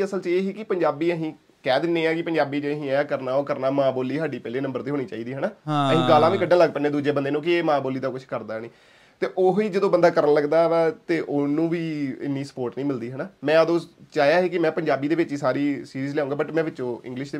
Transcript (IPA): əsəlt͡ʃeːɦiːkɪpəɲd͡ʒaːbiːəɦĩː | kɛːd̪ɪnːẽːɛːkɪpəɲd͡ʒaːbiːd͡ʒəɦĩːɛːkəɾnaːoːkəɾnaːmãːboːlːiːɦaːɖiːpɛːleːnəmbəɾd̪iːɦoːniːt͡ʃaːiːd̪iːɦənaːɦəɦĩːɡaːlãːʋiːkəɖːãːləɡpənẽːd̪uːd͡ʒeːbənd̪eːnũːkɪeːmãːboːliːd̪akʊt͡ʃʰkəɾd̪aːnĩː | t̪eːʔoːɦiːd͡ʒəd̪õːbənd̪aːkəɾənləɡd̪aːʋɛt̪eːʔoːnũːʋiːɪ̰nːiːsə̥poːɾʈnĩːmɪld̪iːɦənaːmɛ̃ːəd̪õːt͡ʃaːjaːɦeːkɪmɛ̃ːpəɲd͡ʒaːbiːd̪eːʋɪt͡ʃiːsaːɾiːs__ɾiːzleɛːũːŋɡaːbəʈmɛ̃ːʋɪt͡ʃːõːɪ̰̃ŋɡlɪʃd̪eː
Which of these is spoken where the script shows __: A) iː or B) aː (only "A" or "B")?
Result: A